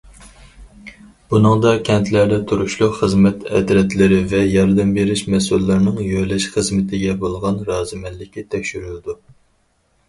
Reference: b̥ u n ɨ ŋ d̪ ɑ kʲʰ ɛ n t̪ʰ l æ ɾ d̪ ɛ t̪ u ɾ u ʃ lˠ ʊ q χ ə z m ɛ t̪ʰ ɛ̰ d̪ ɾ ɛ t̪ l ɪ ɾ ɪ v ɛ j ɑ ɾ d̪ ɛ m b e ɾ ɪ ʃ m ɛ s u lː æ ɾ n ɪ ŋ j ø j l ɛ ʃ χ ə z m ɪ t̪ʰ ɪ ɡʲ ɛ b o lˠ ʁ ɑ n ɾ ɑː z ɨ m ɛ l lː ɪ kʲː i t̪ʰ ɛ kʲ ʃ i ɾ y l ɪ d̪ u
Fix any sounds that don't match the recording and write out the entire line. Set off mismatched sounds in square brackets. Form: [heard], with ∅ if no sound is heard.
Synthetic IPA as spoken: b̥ u n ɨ ŋ d̪ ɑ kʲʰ ɛ n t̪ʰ l æ ɾ d̪ ɛ [t̪ʰ] u ɾ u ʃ lˠ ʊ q χ ə z m ɛ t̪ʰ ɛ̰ d̪ ɾ ɛ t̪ l ɪ ɾ ɪ v ɛ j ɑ ɾ d̪ ɛ m b e ɾ ɪ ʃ m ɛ s u lː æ ɾ n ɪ ŋ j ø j l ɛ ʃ χ ə z m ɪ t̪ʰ ɪ ɡʲ ɛ b o lˠ ʁ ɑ n ɾ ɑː z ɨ m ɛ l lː ɪ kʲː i t̪ʰ ɛ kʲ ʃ [y] ɾ y l ɪ d̪ u